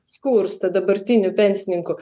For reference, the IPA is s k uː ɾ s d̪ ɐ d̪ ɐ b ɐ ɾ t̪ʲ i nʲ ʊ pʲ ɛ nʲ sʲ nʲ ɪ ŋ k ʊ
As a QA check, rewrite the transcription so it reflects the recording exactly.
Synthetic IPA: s k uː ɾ s t̪ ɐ d̪ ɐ b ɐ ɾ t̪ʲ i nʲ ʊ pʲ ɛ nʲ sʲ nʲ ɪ ŋ k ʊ